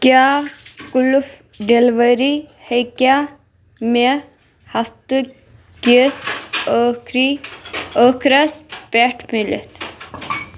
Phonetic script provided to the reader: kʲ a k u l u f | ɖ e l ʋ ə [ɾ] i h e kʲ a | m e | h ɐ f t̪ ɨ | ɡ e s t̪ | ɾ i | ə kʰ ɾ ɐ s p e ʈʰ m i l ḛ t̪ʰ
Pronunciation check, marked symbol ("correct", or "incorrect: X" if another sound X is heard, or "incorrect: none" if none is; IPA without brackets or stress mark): correct